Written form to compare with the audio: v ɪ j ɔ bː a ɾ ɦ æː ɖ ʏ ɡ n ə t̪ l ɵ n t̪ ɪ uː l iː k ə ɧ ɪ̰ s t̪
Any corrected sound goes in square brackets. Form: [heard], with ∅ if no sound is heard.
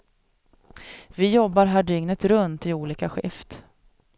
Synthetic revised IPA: v ɪ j ɔ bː a ɾ ɦ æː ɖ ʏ [ŋ] n ə t̪ [ɾ] ɵ n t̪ ɪ uː l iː k [a] ɧ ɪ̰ [f] t̪